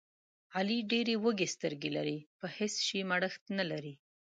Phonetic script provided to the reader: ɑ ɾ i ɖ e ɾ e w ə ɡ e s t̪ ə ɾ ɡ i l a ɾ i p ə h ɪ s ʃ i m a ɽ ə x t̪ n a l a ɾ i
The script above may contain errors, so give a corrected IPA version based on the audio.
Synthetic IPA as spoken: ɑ l i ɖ e ɾ e w ə ɡ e s t̪ ə ɾ ɡ e l a ɾ i p ə h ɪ s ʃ i m a ɽ ə x t̪ n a l a ɾ i